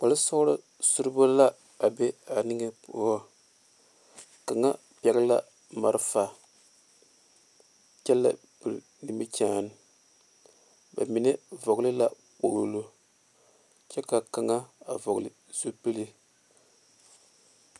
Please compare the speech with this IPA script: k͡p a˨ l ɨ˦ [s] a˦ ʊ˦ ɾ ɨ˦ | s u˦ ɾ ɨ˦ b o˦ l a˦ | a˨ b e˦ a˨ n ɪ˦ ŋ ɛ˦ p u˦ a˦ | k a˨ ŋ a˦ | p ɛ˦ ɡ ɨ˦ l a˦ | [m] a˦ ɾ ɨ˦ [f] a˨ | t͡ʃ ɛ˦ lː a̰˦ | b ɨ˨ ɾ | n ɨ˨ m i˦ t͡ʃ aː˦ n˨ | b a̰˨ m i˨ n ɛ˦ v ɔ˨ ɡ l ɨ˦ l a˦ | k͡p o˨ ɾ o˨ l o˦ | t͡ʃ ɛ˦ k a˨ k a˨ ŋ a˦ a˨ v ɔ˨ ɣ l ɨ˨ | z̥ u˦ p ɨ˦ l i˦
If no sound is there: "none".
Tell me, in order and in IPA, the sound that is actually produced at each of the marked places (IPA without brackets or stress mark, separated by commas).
s, m, f